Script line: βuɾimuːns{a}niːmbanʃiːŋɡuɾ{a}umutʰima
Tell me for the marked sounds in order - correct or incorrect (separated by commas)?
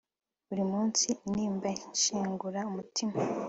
incorrect, correct